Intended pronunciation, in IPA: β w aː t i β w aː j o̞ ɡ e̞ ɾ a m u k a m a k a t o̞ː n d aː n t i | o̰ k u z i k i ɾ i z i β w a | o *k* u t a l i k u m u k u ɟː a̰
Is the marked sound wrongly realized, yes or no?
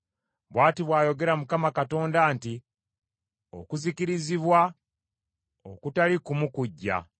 no